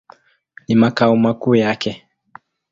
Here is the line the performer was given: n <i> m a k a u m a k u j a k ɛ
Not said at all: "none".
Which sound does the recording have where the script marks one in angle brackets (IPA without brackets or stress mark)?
i